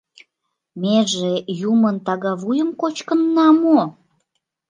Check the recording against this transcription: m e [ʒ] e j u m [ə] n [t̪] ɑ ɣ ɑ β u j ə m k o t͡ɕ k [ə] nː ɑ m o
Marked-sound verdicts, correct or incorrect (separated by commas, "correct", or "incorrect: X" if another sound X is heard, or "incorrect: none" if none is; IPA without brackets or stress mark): correct, correct, correct, correct